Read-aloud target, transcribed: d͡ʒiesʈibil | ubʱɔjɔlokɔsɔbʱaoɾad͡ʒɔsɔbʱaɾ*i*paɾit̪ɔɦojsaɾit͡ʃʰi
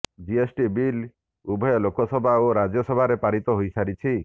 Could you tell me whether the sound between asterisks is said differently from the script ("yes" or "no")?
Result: yes